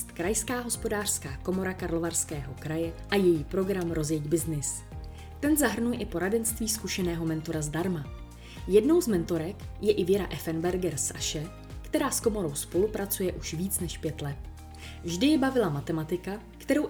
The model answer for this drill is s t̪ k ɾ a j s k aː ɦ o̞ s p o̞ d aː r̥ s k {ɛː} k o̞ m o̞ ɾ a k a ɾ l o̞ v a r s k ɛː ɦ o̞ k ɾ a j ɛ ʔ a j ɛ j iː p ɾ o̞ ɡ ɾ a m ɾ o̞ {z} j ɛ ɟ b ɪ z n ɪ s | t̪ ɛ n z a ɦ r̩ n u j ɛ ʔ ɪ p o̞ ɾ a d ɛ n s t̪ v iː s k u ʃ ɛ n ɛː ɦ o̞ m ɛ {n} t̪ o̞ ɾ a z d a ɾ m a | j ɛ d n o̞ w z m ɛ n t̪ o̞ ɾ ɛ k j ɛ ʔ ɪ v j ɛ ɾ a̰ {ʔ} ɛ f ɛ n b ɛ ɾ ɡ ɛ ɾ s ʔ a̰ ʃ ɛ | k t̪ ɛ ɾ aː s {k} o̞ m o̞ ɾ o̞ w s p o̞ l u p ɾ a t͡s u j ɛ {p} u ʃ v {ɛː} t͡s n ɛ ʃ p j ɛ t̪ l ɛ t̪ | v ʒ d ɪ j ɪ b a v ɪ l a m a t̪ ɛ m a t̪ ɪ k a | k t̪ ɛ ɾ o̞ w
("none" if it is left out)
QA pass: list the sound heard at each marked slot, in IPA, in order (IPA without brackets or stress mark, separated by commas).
aː, z, n, ʔ, k, ʔ, iː